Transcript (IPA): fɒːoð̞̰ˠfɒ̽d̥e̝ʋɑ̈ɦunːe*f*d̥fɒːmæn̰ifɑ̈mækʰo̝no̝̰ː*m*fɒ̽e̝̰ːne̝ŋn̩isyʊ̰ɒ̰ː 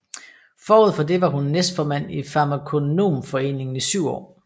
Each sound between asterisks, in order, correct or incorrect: incorrect, correct

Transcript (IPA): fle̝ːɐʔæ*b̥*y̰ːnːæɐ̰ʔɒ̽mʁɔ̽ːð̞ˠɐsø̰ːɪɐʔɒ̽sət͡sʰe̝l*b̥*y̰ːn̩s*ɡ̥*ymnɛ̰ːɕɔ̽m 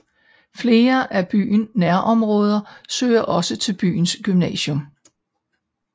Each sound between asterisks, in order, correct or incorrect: correct, correct, correct

